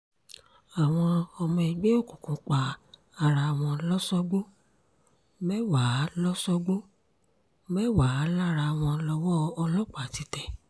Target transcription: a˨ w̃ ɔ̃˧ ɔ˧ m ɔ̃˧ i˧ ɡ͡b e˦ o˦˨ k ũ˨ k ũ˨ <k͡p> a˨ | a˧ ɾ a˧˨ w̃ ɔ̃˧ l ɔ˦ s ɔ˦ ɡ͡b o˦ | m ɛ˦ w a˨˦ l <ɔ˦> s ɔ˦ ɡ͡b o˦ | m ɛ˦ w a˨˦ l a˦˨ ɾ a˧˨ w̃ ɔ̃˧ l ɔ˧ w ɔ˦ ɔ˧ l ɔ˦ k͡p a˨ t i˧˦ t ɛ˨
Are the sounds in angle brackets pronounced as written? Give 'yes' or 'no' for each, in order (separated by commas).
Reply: yes, yes